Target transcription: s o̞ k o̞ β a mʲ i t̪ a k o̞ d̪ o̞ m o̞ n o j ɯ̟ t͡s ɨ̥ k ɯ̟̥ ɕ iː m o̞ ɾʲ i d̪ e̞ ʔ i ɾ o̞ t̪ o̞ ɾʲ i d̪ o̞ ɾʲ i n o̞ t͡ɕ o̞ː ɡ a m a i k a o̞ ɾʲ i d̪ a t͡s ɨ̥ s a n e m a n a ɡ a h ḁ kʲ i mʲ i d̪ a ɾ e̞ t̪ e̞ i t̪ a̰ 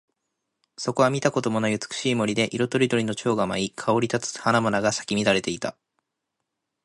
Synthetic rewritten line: s o̞ k o̞ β a mʲ i t̪ a k o̞ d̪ o̞ m o̞ n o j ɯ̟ t͡s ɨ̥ k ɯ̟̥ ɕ iː m o̞ ɾʲ i d̪ e̞ ʔ i ɾ o̞ t̪ o̞ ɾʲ i d̪ o̞ ɾʲ i n o̞ t͡ɕ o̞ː ɡ a m a i kʰ a o̞ ɾʲ i t̪ a t͡s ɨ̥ h a n a m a n a ɡ a s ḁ kʲ i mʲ i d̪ a ɾ e̞ t̪ e̞ i t̪ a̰

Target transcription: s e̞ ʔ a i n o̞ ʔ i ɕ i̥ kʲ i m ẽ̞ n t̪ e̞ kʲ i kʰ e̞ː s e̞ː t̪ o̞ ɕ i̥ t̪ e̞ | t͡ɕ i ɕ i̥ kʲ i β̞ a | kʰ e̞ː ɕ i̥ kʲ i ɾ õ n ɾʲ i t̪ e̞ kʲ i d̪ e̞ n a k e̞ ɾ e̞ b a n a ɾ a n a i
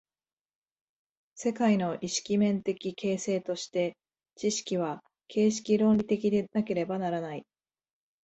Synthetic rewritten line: s e̞ k a i n o̞ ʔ i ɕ i̥ kʲ i m ẽ̞ n t̪ e̞ kʲ i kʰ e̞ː s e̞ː t̪ o̞ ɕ i̥ t̪ e̞ | t͡ɕ i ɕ i̥ kʲ i β̞ a | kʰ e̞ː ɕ i̥ kʲ i ɾ õ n ɾʲ i t̪ e̞ kʲ i d̪ e̞ n a k e̞ ɾ e̞ b a n a ɾ a n a i

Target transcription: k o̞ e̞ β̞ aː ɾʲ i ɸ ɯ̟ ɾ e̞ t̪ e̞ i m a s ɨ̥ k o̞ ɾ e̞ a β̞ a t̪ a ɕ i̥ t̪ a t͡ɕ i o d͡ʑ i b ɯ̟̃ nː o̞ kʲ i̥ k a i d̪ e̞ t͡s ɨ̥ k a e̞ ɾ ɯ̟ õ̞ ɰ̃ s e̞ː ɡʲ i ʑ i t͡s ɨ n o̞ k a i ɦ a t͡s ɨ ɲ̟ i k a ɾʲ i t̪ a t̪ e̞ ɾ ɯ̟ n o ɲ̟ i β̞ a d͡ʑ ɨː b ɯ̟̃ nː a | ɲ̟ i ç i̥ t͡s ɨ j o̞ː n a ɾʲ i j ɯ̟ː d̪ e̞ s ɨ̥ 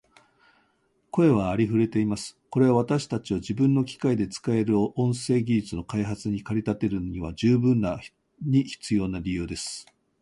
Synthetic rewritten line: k o̞ e̞ β̞ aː ɾʲ i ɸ ɯ̟ ɾ e̞ t̪ e̞ i m a s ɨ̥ k o̞ ɾ e̞ a β̞ a t̪ a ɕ i̥ t̪ a t͡ɕ i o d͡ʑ i b ɯ̟̃ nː o̞ kʲ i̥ k a i d̪ e̞ t͡s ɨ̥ k a e̞ ɾ ɯ̟ õ̞ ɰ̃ s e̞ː ɡʲ i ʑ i t͡s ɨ n o̞ k a i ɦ a t͡s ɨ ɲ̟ i k a ɾʲ i t̪ a t̪ e̞ ɾ ɯ̟ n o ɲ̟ i β̞ a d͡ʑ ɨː b ɯ̟̃ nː a | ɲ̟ i ç i̥ t͡s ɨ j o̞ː n a ɾʲ i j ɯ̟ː d̪ e̞ s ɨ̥

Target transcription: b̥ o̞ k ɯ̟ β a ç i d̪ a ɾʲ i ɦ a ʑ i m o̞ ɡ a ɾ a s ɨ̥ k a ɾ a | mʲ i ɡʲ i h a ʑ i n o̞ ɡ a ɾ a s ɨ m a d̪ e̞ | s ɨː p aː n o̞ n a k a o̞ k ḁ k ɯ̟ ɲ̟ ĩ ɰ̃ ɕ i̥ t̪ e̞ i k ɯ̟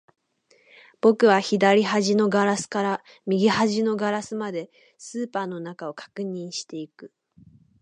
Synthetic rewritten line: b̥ o̞ k ɯ̟ β a ç i d̪ a ɾʲ i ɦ a ʑ i n o̞ ɡ a ɾ a s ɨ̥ k a ɾ a | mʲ i ɡʲ i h a ʑ i n o̞ ɡ a ɾ a s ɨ m a d̪ e̞ | s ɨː p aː n o̞ n a k a o̞ k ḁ k ɯ̟ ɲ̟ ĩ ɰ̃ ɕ i̥ t̪ e̞ i k ɯ̟

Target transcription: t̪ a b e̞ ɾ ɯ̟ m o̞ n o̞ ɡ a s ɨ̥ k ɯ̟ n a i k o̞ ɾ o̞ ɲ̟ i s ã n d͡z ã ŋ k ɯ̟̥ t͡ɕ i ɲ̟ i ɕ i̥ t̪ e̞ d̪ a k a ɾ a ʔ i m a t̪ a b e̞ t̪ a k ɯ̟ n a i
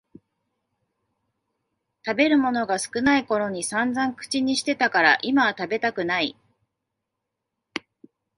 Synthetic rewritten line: t̪ a b e̞ ɾ ɯ̟ m o̞ n o̞ ɡ a s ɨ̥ k ɯ̟ n a i k o̞ ɾ o̞ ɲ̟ i s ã n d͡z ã ŋ k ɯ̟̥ t͡ɕ i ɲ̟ i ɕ i̥ t̪ e̞ t̪ a k a ɾ a ʔ i m a t̪ a b e̞ t̪ a k ɯ̟ n a i

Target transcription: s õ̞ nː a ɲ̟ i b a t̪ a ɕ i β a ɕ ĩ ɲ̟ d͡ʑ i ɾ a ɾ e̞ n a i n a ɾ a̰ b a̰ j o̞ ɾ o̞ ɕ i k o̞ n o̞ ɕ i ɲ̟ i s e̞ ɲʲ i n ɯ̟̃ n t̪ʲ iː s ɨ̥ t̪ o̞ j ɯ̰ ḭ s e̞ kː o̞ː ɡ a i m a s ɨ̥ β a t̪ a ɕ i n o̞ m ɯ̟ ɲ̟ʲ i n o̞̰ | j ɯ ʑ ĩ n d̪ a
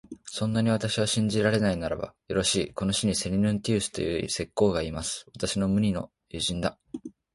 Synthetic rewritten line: s õ̞ nː a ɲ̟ i β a t̪ a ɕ i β a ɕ ĩ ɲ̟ d͡ʑ i ɾ a ɾ e̞ n a i n a ɾ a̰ b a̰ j o̞ ɾ o̞ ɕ iː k o̞ n o̞ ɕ i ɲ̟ i s e̞ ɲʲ i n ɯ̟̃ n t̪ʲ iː s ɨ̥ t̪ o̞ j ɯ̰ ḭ s e̞ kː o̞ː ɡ a i m a s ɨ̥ β a t̪ a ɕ i n o̞ m ɯ̟ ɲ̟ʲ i n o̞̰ | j ɯ ʑ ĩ n d̪ a

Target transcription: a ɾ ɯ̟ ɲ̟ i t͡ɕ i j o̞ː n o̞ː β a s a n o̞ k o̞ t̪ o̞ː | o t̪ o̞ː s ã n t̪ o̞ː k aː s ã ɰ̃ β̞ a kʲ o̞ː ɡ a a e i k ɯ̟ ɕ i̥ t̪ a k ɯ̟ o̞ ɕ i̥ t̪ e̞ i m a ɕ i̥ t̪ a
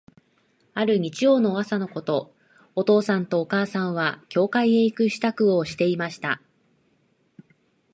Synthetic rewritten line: a ɾ ɯ̟ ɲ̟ i t͡ɕ i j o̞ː n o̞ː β a s a n o̞ k o̞ t̪ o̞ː | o t̪ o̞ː s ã n t̪ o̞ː k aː s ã ɰ̃ β̞ a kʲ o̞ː k a i e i k ɯ̟ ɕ i̥ t̪ a k ɯ̟ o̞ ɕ i̥ t̪ e̞ i m a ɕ i̥ t̪ a

